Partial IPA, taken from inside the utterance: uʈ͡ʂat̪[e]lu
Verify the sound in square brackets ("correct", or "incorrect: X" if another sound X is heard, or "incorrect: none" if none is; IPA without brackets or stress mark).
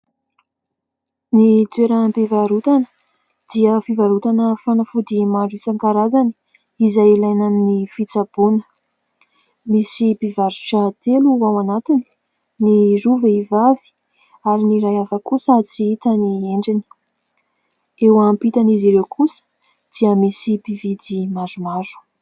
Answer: correct